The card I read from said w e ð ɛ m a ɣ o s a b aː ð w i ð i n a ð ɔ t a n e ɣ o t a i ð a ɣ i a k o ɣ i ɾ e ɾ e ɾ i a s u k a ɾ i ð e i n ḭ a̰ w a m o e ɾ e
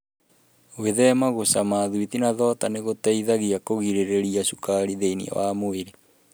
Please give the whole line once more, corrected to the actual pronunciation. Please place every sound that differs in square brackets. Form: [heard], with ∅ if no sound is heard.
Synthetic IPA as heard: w e ð ɛ m a ɣ o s a [m] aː ð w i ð i n a ð ɔ t a n e ɣ o t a i ð a ɣ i a k o ɣ i ɾ e ɾ e ɾ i a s u k a ɾ i ð e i n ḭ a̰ w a m o e ɾ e